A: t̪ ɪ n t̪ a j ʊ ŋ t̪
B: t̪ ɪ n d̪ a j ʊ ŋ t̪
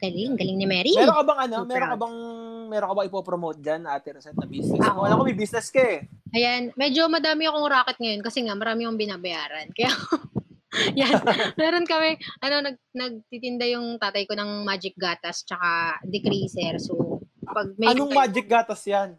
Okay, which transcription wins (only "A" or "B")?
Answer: B